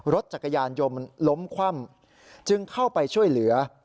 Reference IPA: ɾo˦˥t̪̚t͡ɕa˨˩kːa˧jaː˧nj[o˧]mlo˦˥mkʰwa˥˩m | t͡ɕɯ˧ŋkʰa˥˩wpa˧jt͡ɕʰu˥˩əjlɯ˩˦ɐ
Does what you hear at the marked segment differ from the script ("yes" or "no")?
no